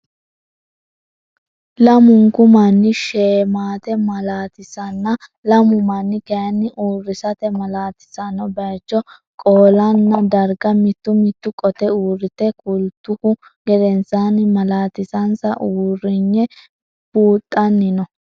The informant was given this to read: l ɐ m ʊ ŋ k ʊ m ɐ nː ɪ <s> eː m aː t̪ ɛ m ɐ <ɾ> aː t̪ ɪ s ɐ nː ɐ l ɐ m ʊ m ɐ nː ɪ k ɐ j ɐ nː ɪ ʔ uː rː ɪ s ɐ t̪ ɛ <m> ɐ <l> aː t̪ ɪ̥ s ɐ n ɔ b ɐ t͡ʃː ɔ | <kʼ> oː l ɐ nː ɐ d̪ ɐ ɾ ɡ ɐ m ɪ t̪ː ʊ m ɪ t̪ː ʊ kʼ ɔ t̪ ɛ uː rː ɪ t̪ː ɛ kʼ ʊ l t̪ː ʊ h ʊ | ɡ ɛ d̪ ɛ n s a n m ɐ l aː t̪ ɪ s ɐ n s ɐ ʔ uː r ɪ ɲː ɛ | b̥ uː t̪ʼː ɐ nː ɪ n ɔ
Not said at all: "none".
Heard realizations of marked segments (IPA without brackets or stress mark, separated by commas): ʃ, l, m, l, kʼ